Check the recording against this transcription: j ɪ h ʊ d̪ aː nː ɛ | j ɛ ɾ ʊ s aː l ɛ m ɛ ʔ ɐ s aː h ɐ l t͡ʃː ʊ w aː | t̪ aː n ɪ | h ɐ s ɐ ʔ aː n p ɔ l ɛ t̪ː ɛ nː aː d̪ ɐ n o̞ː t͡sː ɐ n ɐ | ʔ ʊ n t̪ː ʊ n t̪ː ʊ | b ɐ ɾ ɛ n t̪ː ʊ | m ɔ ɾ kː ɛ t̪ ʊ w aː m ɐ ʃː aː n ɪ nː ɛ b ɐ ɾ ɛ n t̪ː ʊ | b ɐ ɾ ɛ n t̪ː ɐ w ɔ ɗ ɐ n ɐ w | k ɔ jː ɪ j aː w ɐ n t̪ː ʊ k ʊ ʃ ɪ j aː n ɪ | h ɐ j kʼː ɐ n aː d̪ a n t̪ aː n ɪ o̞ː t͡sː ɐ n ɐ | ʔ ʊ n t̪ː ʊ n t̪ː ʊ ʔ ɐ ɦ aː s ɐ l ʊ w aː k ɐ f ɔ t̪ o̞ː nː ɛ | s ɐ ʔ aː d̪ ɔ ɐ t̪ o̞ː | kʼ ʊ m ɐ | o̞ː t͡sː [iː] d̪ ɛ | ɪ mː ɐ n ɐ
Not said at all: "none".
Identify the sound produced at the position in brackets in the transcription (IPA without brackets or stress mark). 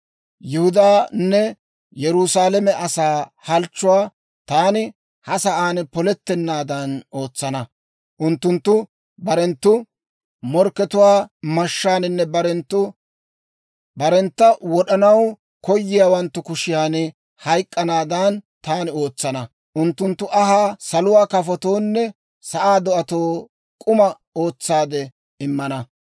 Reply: aː